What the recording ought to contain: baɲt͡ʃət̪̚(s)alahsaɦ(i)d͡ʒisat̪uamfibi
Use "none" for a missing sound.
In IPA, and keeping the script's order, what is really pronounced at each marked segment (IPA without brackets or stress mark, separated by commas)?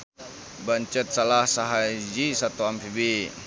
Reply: s, a